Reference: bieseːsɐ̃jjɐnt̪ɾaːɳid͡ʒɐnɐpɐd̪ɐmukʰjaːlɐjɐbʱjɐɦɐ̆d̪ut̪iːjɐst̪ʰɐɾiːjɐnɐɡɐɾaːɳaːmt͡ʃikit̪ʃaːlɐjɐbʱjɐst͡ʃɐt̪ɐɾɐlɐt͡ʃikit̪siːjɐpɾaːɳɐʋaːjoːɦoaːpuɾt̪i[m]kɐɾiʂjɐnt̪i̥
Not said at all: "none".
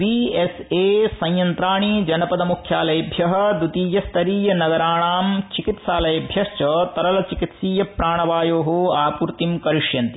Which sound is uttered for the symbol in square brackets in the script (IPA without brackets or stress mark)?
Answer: m